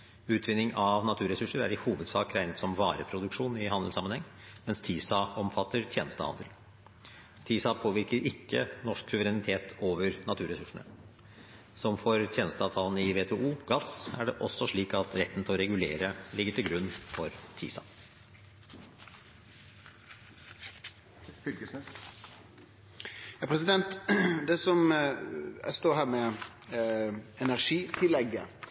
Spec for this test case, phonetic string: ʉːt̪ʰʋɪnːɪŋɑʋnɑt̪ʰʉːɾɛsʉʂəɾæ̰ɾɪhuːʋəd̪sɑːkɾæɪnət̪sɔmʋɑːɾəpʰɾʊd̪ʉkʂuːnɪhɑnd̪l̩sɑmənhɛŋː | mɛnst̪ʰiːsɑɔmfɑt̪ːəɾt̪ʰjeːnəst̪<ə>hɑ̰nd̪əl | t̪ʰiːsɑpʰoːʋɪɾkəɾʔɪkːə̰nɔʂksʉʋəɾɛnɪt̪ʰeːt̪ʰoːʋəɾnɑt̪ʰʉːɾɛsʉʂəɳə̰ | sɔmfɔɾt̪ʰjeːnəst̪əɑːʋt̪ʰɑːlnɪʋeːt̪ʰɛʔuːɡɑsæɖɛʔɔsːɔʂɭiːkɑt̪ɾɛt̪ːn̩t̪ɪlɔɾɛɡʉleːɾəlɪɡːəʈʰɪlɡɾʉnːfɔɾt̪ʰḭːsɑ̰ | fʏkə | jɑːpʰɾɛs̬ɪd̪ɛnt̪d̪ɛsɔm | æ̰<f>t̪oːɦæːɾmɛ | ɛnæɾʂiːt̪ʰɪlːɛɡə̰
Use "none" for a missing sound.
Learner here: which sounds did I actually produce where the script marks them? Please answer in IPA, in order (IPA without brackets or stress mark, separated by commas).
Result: ə, s